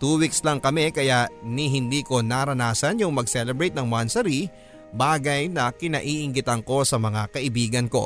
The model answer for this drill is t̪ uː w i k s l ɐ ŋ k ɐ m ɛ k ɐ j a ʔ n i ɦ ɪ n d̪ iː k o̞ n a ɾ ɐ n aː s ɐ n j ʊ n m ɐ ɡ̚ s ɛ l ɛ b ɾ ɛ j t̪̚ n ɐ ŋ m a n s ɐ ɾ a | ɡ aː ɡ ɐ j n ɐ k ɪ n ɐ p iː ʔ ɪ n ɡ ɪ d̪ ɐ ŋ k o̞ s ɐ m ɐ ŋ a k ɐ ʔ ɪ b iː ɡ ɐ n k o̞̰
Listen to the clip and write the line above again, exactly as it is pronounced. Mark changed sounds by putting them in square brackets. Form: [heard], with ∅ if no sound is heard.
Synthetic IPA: t̪ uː w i k s l ɐ ŋ k ɐ m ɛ k ɐ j a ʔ n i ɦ ɪ n d̪ iː k o̞ n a ɾ ɐ n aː s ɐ n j ʊ [ŋ] m ɐ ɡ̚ s ɛ l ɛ b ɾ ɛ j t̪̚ n ɐ ŋ m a n s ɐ ɾ [i] | [b] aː ɡ ɐ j n ɐ k ɪ n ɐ [ʔ] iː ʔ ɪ [ŋ] ɡ ɪ [t̪] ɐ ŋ k o̞ s ɐ m ɐ ŋ a k ɐ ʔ ɪ b iː ɡ ɐ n k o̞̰